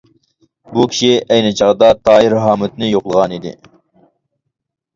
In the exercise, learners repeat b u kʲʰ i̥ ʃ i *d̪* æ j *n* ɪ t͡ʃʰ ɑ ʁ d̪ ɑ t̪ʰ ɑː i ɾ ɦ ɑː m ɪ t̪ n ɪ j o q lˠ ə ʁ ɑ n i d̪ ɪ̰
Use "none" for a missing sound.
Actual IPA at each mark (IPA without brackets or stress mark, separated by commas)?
none, n